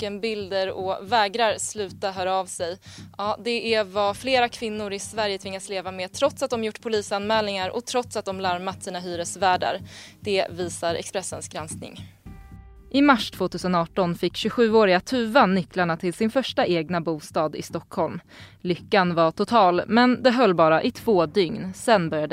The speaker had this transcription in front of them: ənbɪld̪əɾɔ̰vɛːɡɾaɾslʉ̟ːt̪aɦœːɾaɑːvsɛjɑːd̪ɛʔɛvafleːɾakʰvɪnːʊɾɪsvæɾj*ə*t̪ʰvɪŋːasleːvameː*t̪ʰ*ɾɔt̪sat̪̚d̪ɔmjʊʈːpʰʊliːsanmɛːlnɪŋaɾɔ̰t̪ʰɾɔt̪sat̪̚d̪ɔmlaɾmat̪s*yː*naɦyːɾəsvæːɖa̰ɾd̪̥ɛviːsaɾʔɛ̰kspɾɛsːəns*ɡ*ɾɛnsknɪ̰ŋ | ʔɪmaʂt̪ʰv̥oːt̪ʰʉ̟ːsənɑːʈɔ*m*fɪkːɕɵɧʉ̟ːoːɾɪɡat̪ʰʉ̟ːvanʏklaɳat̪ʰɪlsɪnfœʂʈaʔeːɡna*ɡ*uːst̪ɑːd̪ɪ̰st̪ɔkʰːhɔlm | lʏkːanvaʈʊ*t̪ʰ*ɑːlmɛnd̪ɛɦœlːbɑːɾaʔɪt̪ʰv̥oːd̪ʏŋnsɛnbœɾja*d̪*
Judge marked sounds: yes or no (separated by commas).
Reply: yes, yes, no, yes, no, no, yes, yes